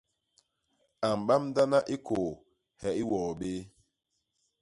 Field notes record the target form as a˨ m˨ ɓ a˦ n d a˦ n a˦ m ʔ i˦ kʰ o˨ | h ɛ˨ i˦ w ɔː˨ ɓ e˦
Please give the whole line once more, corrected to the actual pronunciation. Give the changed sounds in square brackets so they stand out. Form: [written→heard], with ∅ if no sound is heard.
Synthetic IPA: a˨ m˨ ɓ a˦ [n→m] d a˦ n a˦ [m→∅] ʔ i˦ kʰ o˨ | h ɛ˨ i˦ w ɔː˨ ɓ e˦